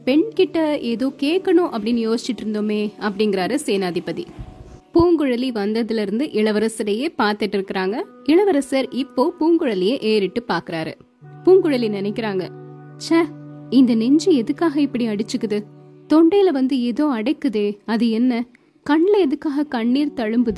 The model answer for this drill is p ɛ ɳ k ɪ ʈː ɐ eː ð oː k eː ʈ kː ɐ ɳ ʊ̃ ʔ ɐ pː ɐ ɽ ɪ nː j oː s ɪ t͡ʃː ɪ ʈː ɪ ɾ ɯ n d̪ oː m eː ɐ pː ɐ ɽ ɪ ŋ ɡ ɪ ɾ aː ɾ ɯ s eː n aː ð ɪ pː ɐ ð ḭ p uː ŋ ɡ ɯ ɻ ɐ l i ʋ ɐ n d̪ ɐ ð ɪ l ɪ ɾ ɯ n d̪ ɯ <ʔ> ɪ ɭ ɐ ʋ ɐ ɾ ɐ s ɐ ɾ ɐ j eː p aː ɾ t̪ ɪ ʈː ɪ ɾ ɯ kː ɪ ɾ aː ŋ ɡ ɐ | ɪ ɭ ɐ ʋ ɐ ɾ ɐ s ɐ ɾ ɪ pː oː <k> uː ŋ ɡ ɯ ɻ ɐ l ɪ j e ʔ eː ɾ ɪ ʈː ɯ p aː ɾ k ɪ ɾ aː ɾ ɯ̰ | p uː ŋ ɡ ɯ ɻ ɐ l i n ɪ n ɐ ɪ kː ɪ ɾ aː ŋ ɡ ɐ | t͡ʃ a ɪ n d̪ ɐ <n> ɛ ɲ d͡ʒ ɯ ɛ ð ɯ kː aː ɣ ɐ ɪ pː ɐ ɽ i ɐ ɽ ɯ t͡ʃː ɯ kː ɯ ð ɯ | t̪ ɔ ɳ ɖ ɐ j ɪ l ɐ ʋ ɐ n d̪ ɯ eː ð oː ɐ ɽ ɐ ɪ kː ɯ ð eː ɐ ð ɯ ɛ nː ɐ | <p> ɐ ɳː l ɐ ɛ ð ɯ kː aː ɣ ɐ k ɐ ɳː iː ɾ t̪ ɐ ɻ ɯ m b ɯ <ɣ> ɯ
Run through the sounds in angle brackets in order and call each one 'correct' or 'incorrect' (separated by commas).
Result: correct, incorrect, correct, incorrect, incorrect